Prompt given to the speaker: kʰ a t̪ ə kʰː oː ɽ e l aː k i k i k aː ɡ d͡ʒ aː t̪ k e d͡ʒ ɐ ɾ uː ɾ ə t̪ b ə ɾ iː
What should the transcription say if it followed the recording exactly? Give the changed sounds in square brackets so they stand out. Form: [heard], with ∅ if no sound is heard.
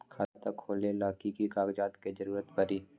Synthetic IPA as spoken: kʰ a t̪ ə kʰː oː [l] e l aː k i k i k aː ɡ d͡ʒ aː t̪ k e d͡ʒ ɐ ɾ uː ɾ ə t̪ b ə ɾ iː